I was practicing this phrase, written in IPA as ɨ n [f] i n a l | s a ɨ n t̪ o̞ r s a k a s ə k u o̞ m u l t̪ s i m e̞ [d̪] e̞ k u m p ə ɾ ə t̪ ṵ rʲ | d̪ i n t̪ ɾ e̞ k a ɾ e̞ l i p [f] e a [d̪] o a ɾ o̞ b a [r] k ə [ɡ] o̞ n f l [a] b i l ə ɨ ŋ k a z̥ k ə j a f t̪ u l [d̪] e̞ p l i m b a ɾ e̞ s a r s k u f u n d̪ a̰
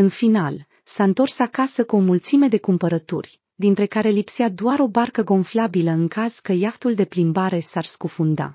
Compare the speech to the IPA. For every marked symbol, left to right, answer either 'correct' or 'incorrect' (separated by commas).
correct, correct, incorrect, correct, correct, correct, correct, correct